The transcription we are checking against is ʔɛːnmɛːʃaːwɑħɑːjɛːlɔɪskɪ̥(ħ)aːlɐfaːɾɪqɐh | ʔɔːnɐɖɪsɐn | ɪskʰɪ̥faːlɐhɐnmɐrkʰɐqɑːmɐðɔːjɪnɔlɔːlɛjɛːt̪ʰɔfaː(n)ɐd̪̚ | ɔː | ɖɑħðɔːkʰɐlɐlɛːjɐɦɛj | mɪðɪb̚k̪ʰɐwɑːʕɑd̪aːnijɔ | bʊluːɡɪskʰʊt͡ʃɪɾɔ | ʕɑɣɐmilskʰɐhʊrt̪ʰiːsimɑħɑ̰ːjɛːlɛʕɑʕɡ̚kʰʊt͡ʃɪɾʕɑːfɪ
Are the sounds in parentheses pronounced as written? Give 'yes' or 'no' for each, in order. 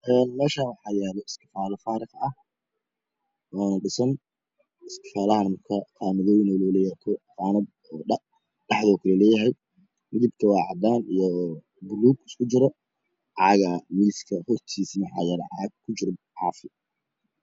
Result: no, yes

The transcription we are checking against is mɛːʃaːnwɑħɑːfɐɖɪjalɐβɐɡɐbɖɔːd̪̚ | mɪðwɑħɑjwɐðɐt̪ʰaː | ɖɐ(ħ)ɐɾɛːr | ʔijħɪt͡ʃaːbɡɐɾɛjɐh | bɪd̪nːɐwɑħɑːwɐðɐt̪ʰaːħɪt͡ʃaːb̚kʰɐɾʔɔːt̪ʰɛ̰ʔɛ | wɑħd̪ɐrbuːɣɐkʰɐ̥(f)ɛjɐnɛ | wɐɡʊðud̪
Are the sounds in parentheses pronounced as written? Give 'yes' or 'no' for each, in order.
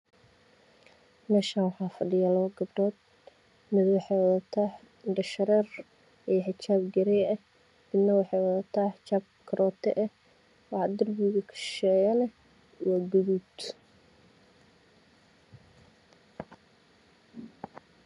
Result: no, no

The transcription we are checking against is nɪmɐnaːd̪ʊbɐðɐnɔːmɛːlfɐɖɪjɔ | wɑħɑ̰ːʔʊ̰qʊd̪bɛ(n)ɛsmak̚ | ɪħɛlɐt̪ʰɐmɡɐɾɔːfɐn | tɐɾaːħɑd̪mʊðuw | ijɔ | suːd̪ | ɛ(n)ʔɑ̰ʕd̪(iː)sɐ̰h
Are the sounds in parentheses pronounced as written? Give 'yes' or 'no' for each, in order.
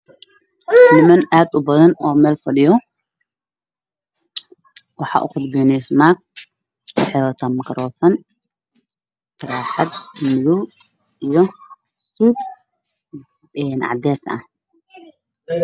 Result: yes, yes, no

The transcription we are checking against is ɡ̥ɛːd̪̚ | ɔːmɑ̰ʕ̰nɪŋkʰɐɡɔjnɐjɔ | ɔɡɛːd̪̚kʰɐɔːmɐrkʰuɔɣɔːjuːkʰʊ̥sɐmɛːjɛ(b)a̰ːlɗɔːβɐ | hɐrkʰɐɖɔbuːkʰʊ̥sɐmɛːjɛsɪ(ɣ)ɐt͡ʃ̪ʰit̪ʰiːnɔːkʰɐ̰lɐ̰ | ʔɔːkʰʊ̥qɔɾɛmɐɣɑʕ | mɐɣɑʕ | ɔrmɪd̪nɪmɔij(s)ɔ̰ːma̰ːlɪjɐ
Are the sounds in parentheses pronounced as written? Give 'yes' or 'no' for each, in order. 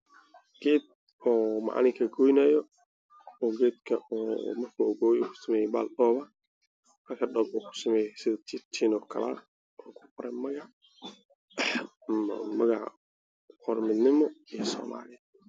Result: yes, no, yes

